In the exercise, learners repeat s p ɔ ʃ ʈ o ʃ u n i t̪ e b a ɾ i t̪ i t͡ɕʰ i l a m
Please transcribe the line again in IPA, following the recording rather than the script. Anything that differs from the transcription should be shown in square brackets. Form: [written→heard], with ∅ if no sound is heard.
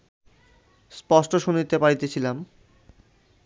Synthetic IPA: s p ɔ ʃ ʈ o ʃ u n i t̪ e [b→p] a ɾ i t̪ [i→e] t͡ɕʰ i l a m